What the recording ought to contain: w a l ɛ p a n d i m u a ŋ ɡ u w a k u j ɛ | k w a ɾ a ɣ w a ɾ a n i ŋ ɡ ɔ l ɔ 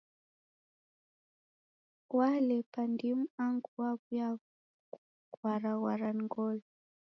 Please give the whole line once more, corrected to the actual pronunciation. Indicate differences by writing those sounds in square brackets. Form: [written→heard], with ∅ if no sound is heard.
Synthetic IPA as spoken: w a l ɛ p a n d i m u a ŋ ɡ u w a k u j [ɛ→a] | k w a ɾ a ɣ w a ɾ a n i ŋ ɡ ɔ l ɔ